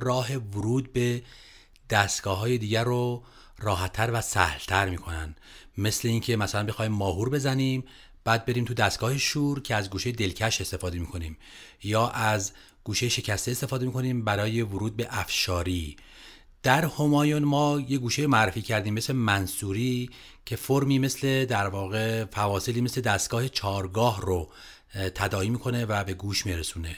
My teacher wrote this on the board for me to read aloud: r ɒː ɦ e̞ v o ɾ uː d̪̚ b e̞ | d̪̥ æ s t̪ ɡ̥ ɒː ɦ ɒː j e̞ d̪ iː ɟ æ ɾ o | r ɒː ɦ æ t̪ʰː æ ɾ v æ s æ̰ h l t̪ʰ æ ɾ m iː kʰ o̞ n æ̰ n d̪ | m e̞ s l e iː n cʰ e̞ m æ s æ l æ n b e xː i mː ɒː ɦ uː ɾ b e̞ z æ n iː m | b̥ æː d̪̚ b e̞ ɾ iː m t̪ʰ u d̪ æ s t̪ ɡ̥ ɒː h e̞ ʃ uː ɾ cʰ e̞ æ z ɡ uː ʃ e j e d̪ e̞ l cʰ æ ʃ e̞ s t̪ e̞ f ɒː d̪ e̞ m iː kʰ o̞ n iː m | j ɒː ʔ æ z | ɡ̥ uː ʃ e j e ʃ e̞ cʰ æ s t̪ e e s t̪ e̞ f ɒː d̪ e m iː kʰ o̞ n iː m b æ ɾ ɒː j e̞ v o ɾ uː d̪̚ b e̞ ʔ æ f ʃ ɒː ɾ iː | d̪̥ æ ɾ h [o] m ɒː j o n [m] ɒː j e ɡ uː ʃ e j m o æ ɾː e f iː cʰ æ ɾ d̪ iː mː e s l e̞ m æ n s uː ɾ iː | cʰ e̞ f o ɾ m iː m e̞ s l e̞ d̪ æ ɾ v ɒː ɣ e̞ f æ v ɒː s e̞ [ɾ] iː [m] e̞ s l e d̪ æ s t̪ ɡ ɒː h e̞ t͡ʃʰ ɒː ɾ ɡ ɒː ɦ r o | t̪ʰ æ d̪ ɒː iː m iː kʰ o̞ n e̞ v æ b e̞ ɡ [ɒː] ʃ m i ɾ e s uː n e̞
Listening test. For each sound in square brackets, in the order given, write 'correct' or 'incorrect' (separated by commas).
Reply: correct, correct, incorrect, correct, incorrect